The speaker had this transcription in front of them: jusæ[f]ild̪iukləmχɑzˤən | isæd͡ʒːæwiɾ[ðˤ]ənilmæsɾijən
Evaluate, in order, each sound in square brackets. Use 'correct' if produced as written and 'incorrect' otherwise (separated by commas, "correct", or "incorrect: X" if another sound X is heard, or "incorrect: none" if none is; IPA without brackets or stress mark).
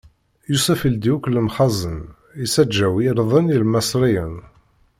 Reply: correct, correct